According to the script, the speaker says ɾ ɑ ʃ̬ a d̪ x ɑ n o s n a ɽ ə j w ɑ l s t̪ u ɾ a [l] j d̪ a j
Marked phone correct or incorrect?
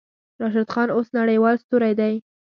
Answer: incorrect: none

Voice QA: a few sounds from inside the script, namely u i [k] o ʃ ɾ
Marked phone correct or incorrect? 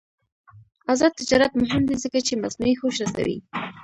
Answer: incorrect: x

